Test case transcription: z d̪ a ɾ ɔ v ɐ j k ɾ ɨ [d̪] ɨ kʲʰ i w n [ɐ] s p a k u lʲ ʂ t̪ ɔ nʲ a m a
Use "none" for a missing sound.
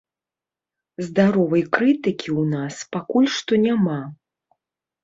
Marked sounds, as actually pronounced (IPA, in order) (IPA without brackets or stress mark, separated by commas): t̪, a